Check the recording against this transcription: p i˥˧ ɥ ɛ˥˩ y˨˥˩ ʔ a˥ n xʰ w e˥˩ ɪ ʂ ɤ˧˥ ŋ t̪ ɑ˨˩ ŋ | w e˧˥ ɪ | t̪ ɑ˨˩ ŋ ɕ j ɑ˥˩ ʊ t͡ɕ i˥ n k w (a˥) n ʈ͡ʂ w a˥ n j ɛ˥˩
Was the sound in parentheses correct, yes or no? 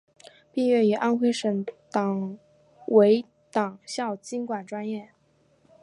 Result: no